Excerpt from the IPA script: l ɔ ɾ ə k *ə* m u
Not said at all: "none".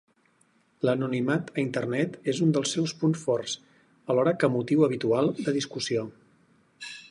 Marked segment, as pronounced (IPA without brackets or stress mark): ə